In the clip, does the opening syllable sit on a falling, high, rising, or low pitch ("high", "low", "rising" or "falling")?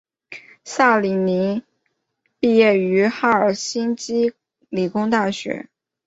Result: falling